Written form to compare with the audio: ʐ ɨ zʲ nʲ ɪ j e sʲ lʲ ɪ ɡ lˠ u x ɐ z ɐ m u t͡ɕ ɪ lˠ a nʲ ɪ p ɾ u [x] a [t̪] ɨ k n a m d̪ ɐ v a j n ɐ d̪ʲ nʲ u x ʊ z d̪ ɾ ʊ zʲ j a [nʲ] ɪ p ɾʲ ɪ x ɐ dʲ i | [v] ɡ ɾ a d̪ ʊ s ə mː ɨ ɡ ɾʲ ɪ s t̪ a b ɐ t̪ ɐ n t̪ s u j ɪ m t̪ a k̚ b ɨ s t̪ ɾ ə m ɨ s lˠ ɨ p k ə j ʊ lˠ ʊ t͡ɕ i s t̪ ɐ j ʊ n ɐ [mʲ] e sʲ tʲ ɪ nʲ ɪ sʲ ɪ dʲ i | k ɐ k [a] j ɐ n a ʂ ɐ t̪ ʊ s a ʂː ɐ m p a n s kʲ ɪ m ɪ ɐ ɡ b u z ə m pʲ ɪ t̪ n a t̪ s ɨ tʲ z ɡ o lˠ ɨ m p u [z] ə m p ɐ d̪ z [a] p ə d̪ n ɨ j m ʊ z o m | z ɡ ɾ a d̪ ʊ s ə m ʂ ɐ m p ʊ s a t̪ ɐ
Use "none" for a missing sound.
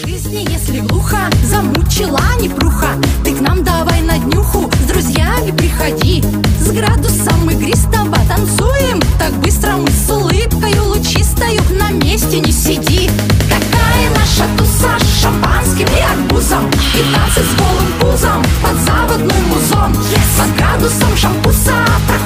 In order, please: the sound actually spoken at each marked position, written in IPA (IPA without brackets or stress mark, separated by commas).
x, t̪, mʲ, z, mʲ, a, z, a